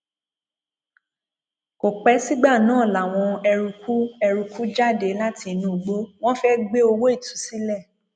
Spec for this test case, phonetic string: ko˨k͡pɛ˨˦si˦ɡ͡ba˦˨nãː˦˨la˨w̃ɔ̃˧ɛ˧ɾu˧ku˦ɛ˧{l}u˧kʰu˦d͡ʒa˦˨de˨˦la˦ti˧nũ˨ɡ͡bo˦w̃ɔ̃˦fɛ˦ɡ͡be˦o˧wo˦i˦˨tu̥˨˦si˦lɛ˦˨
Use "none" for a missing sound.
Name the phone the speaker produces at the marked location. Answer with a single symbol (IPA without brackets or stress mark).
ɾ